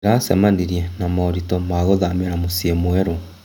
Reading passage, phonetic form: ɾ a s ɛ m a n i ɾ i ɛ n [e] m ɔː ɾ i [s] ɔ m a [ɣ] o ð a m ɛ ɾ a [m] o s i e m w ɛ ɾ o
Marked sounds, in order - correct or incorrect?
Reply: incorrect: a, incorrect: t, correct, correct

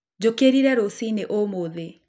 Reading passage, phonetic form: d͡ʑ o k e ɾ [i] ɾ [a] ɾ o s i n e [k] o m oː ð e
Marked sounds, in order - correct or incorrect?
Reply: correct, incorrect: ɛ, incorrect: ʔ

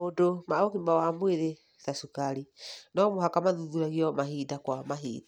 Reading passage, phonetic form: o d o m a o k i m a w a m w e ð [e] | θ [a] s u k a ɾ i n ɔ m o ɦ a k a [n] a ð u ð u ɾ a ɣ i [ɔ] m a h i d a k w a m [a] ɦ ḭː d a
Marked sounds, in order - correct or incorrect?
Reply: correct, correct, incorrect: m, correct, correct

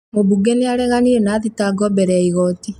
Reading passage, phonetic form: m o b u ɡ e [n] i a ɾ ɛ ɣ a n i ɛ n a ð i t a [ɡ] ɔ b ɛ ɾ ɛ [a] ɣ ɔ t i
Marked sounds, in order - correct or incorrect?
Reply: correct, correct, incorrect: i

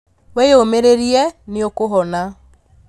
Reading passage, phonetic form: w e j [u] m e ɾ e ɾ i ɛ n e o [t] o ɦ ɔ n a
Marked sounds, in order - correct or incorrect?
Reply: incorrect: o, incorrect: k

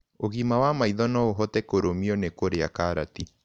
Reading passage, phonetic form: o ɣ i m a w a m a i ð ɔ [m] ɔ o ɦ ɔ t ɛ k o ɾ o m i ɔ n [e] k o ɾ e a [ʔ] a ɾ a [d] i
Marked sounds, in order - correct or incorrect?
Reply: incorrect: n, correct, incorrect: k, incorrect: t

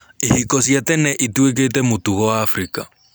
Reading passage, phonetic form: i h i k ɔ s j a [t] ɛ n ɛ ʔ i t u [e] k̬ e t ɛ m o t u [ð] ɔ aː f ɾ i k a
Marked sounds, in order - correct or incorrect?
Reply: correct, correct, incorrect: ɣ

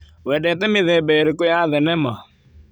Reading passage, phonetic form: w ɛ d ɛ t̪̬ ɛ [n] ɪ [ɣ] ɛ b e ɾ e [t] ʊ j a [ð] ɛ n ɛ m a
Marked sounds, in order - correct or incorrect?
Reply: incorrect: m, incorrect: ð, incorrect: k, correct

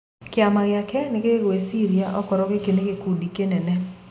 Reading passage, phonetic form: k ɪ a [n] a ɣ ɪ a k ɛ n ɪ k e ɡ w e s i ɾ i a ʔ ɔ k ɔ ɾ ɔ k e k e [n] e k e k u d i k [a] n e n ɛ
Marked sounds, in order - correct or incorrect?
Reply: incorrect: m, correct, incorrect: e

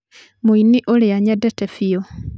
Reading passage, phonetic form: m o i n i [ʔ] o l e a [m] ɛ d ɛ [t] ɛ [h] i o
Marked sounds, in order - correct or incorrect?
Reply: correct, incorrect: ɲ, correct, incorrect: f

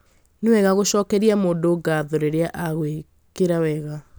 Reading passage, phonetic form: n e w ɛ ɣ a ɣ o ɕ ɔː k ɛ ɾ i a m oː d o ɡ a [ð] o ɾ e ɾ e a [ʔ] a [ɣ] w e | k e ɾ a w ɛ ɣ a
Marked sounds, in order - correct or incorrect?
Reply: correct, correct, correct

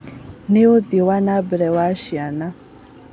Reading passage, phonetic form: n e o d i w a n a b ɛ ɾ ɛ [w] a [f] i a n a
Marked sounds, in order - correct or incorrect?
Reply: correct, incorrect: ʃ

